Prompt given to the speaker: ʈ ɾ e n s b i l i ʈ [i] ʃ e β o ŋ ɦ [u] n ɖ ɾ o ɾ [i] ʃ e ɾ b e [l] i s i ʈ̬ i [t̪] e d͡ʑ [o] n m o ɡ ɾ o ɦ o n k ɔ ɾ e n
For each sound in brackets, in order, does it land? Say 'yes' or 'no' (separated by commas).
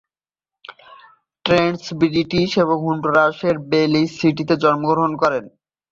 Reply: yes, yes, no, yes, yes, no